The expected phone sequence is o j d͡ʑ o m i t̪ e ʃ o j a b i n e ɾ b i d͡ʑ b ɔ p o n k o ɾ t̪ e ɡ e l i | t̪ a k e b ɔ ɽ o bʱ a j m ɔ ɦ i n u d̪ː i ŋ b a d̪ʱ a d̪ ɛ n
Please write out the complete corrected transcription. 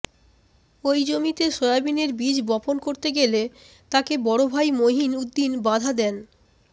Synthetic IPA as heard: o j d͡ʑ o m i t̪ e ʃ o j a b i n e ɾ b i d͡ʑ b ɔ p o n k o ɾ t̪ e ɡ e l e | t̪ a k e b ɔ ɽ o bʱ a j m o ɦ i n u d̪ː i n b a d̪ʱ a d̪ ɛ n